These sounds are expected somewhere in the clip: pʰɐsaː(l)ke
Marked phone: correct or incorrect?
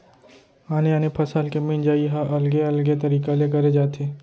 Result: correct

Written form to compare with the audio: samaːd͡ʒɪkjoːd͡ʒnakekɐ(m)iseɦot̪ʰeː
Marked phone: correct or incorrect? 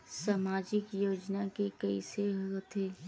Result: incorrect: none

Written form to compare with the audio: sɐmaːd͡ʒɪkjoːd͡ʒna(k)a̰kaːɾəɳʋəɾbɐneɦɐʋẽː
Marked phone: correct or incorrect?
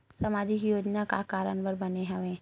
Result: correct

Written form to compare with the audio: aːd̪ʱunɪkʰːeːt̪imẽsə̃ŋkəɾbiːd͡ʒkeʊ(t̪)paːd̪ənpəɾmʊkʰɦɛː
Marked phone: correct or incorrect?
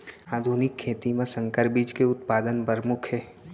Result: correct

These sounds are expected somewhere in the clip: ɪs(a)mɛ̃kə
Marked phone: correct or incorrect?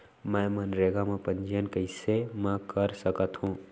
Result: incorrect: e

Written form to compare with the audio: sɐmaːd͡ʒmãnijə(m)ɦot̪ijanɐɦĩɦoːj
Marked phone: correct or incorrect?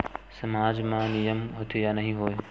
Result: correct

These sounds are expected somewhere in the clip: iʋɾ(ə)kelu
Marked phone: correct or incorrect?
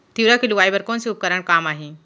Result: incorrect: a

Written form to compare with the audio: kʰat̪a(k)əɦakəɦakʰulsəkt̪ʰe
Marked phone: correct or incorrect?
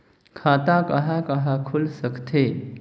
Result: correct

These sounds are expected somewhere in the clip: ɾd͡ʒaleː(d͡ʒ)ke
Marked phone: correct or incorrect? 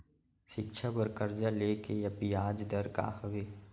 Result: incorrect: none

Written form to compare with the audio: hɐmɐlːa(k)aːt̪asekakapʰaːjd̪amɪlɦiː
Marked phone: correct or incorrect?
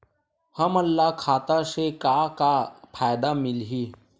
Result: incorrect: kʰ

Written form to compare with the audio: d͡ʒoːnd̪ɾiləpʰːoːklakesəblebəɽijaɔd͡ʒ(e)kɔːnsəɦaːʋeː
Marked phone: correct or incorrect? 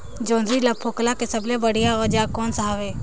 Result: incorrect: a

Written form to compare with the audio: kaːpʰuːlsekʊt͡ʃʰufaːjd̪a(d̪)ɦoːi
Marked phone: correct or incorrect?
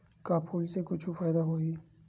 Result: incorrect: none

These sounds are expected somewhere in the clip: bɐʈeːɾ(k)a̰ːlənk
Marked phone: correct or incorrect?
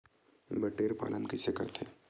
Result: incorrect: p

